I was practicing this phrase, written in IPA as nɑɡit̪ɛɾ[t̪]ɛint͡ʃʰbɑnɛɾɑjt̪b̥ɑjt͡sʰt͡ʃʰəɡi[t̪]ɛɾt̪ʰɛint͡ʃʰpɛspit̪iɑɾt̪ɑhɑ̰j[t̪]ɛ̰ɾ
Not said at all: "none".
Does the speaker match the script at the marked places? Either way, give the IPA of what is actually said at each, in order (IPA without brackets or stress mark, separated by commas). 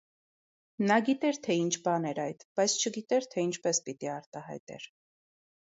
t̪ʰ, t̪, t̪